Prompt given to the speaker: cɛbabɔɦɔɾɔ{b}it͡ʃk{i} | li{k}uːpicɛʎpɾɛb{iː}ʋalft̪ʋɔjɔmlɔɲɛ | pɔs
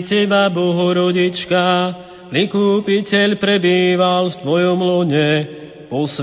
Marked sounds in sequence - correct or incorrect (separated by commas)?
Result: incorrect, incorrect, correct, correct